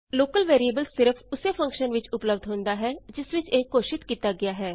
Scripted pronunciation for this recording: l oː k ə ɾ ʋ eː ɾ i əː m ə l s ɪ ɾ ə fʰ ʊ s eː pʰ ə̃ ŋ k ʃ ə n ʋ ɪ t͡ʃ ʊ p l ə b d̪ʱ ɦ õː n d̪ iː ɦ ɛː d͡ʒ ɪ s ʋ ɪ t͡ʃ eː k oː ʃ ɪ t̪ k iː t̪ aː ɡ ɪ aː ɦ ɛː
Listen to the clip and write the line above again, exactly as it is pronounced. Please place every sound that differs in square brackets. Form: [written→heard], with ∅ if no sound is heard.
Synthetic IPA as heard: l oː k ə [ɾ→l] ʋ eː ɾ i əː [m→b] ə l s ɪ ɾ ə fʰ ʊ s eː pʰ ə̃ ŋ k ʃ ə n ʋ ɪ t͡ʃ ʊ p l ə b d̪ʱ ɦ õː n d̪ [iː→aː] ɦ ɛː d͡ʒ ɪ s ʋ ɪ t͡ʃ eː k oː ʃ ɪ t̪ k iː t̪ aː ɡ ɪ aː ɦ ɛː